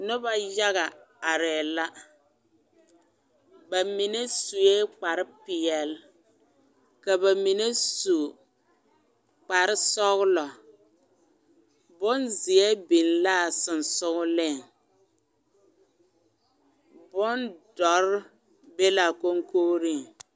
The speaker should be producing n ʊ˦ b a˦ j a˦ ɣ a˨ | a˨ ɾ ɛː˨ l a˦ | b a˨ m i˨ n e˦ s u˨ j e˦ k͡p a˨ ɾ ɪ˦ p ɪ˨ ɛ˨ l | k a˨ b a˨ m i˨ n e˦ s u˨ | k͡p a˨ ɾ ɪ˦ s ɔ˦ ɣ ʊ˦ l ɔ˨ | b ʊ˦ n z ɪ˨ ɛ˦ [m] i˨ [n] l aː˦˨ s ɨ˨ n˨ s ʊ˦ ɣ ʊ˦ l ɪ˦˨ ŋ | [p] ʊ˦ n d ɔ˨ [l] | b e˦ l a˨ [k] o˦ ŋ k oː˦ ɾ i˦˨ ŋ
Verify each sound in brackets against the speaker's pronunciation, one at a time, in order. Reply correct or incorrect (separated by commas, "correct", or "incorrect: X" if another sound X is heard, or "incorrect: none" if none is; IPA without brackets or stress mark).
incorrect: b, correct, incorrect: b, incorrect: ɾ, correct